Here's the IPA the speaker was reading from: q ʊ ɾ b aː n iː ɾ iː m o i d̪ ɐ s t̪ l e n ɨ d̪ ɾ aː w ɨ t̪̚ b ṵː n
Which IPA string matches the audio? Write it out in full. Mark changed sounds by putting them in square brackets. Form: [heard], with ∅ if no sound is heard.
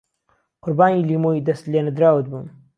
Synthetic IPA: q ʊ ɾ b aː n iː [l] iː m o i d̪ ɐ s t̪ l e n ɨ d̪ ɾ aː w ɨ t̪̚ b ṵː n